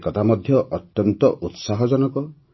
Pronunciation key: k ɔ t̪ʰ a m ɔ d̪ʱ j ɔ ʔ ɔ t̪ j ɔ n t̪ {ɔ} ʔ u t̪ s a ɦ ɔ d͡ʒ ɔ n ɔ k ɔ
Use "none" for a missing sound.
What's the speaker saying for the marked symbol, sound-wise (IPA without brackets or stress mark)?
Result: ɔ